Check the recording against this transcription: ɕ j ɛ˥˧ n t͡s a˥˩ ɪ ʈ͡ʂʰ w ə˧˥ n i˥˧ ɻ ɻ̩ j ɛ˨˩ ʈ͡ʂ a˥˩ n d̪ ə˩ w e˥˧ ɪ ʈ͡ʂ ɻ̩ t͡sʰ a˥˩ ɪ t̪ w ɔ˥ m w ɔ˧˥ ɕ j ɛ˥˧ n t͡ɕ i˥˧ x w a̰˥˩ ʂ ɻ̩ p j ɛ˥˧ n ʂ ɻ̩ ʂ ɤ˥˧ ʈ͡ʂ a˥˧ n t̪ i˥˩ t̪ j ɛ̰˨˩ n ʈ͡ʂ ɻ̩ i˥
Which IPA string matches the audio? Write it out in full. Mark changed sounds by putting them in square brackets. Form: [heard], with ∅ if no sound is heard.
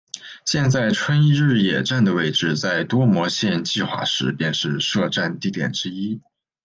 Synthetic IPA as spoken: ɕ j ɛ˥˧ n t͡s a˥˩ ɪ ʈ͡ʂʰ w [ə˥] n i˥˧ ɻ ɻ̩ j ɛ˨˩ ʈ͡ʂ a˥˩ n d̪ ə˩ w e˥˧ ɪ ʈ͡ʂ ɻ̩ [t͡s] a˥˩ ɪ t̪ w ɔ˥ m w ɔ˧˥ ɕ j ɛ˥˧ n t͡ɕ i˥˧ x w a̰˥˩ ʂ ɻ̩ p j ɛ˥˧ n ʂ ɻ̩ ʂ ɤ˥˧ ʈ͡ʂ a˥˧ n t̪ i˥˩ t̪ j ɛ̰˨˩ n ʈ͡ʂ ɻ̩ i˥